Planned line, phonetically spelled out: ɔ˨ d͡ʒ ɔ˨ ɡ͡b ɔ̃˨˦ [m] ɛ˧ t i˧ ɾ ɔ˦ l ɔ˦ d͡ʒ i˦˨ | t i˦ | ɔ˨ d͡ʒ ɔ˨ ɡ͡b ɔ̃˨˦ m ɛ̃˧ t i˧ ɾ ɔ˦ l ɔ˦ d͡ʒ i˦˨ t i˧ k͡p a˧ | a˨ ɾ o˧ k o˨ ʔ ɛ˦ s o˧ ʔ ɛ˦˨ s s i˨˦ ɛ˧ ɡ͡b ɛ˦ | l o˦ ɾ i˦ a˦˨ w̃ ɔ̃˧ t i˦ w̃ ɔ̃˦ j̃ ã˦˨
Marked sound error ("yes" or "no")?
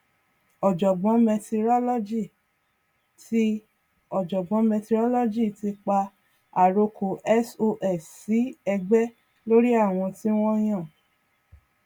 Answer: no